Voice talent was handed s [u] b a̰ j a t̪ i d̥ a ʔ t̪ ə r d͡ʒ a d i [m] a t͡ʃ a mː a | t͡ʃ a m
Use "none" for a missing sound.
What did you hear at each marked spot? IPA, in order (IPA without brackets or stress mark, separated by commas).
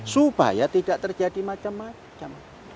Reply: u, m